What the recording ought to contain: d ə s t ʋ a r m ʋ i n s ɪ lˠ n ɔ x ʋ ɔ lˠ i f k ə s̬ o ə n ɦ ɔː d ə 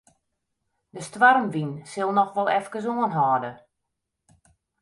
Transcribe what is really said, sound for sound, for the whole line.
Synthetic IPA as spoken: d ə s t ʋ a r m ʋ i n s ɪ lˠ n ɔ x ʋ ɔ lˠ ɛ f k ə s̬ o ə n ɦ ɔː d ə